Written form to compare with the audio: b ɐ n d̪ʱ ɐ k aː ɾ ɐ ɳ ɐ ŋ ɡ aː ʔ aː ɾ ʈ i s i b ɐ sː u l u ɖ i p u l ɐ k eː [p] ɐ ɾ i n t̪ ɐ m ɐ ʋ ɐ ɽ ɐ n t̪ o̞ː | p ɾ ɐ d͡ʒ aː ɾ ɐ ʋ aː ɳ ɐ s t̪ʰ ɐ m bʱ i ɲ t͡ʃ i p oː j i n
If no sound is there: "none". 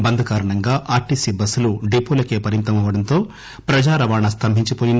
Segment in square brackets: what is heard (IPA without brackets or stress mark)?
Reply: p